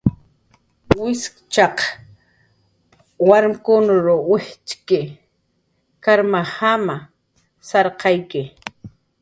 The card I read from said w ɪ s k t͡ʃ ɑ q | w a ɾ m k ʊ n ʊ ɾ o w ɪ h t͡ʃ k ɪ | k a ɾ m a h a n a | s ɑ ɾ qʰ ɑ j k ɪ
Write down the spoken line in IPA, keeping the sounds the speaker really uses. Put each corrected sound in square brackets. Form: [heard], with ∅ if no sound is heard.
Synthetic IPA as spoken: w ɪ s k t͡ʃ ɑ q | w a ɾ m k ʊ n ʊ ɾ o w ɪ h t͡ʃ k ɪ | k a ɾ m a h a [m] a | s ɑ ɾ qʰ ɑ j k ɪ